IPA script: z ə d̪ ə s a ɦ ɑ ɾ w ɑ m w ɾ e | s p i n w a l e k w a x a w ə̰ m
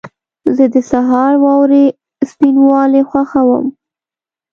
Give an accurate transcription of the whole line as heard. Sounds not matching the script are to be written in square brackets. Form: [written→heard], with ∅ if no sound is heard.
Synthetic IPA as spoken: z ə d̪ ə s a ɦ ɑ ɾ w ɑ [m→∅] w ɾ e | s p i n w [a→ɑ] l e [k→x] w a x a w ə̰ m